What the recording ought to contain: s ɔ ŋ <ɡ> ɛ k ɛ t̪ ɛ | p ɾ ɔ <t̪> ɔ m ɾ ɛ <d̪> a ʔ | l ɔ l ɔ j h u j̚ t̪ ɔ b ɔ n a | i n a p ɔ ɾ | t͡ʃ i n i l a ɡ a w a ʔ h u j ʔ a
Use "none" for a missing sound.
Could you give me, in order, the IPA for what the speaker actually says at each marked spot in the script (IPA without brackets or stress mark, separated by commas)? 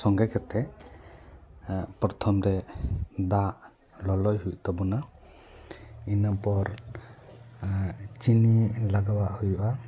ɡ, t̪ʰ, d̪